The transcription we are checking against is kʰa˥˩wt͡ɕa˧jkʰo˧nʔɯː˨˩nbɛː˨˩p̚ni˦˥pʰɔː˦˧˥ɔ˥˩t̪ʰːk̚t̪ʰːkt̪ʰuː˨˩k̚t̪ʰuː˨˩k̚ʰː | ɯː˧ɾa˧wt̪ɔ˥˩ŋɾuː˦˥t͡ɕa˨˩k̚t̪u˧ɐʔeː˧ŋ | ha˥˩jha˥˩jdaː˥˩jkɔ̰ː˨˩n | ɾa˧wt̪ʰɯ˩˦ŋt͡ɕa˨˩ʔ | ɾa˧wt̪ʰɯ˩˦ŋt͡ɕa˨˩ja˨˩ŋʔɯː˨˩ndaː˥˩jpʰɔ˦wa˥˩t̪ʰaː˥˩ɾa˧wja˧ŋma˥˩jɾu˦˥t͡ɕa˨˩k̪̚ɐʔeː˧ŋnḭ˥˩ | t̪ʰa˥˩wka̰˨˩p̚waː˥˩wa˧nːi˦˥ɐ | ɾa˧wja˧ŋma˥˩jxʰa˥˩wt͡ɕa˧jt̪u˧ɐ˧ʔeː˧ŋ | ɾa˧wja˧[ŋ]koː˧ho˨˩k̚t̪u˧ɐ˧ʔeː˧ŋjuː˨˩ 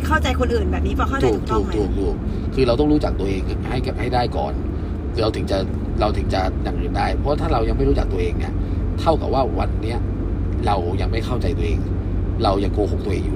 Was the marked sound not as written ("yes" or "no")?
no